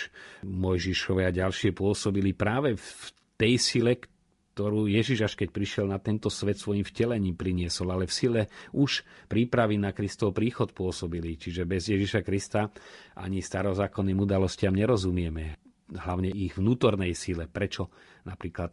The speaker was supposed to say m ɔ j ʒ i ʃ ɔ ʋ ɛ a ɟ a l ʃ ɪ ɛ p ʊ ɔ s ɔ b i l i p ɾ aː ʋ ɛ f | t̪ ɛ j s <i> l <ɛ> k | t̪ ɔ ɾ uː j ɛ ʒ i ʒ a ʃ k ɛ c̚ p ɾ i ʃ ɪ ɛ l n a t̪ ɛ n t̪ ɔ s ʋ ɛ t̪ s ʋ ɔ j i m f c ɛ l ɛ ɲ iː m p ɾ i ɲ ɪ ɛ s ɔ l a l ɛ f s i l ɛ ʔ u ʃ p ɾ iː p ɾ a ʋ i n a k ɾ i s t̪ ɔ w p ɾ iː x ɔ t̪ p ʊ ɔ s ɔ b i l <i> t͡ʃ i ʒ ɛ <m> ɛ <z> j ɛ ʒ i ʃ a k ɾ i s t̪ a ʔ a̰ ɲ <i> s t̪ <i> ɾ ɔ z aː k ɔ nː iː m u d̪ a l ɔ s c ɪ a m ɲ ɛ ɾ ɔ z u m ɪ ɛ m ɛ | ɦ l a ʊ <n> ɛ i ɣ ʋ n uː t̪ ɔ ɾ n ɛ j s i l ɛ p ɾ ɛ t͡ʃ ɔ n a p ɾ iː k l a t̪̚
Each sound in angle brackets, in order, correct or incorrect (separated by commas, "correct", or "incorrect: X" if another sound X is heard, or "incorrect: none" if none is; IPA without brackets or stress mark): correct, correct, correct, incorrect: b, correct, correct, incorrect: a, incorrect: ɲ